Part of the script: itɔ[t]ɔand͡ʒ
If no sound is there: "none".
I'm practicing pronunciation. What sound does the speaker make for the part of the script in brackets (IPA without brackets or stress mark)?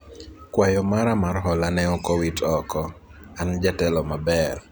k